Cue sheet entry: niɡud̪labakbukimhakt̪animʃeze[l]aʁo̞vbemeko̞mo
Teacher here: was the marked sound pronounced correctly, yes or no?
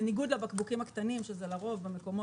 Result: yes